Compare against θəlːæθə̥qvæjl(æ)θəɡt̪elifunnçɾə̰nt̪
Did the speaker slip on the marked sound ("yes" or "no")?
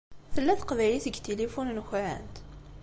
yes